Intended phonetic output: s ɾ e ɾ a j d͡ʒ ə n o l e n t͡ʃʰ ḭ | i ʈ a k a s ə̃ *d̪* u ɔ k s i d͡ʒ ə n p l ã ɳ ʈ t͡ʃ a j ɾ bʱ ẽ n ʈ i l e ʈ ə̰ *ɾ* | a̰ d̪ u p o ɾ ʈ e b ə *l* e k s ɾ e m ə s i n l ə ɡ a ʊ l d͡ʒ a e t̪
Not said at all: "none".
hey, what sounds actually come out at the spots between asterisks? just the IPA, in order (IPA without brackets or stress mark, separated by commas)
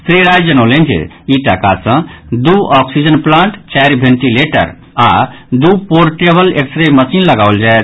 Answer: d̪, ɾ, l